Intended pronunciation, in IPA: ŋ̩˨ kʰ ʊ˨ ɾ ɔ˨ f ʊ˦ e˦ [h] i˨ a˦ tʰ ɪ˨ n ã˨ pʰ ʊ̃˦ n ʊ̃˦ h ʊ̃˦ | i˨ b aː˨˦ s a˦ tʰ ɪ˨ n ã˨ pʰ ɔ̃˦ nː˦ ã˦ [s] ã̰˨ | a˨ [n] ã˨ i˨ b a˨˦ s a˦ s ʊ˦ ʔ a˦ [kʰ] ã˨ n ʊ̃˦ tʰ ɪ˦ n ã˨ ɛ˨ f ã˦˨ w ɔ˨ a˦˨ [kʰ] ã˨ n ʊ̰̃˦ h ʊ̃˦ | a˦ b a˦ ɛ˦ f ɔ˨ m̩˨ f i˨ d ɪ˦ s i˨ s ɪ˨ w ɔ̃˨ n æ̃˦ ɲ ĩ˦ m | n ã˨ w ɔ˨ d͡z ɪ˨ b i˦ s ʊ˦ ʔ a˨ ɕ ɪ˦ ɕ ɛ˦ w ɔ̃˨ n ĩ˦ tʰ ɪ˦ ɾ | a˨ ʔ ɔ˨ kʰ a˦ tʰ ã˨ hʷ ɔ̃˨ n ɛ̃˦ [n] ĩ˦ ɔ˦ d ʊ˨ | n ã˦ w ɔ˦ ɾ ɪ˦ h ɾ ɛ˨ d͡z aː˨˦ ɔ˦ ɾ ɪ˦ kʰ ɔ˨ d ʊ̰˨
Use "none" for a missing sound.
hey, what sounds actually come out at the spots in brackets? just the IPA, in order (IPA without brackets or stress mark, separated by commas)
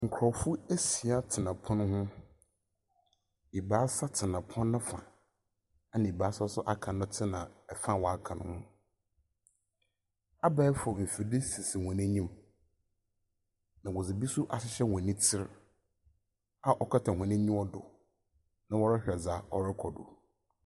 s, f, n, kʰ, kʰ, ɲ